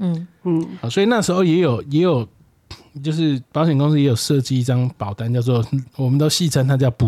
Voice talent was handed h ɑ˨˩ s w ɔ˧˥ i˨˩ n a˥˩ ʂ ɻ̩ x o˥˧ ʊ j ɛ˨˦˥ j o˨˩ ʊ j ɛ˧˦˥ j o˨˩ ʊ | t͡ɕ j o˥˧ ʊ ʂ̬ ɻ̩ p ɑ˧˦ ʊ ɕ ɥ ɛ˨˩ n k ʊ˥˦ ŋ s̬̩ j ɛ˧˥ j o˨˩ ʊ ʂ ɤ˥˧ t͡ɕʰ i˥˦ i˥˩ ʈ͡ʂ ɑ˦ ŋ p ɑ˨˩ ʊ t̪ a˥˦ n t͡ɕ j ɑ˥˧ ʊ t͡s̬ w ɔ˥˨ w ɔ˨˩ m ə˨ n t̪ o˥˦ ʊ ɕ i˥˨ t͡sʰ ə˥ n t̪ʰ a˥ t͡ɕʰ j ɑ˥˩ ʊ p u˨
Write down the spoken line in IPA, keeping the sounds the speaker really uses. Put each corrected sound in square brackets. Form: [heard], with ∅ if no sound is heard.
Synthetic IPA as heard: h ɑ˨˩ s w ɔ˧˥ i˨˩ n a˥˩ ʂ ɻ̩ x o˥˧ ʊ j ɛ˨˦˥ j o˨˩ ʊ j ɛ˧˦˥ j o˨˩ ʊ | t͡ɕ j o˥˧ ʊ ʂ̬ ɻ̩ p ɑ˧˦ ʊ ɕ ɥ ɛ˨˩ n k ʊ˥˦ ŋ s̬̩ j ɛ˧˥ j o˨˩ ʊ ʂ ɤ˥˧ [t͡ɕ] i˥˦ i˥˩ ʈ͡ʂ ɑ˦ ŋ p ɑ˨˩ ʊ t̪ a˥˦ n t͡ɕ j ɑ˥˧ ʊ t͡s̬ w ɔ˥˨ w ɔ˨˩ m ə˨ n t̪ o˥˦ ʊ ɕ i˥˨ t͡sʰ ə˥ n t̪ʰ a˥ [t͡ɕ] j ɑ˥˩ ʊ p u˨